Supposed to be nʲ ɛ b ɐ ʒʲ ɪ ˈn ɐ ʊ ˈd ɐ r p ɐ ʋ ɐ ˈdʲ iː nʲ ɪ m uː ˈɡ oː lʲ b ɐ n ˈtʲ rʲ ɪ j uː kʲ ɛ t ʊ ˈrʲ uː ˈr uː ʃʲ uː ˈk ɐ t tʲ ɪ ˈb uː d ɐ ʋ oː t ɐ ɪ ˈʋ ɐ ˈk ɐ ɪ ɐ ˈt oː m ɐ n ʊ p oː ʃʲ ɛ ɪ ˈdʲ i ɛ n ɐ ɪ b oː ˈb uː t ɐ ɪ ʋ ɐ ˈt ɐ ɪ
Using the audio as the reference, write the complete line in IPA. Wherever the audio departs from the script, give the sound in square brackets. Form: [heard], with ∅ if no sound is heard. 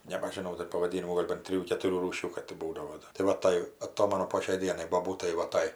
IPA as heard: nʲ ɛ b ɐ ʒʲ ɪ ˈn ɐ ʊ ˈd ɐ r p ɐ ʋ ɐ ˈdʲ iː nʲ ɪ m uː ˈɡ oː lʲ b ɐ n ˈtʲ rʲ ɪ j uː kʲ ɛ t ʊ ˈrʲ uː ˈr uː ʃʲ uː ˈk ɐ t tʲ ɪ ˈb uː d ɐ ʋ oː t ɐ ɪ ˈʋ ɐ [ˈt] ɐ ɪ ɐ ˈt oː m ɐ n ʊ p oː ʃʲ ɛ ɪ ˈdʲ i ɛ n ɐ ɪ b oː ˈb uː t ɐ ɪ ʋ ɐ ˈt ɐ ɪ